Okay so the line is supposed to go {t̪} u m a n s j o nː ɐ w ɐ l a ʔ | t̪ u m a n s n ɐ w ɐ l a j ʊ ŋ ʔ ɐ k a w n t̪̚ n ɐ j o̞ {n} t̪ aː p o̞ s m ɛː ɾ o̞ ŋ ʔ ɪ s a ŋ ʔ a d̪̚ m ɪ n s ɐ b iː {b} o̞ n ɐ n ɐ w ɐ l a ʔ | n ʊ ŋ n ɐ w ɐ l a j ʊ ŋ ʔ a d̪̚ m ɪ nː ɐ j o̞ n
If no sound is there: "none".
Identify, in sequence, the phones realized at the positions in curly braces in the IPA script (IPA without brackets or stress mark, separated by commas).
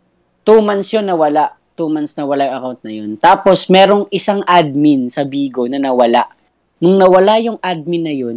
t̪, n, ɡ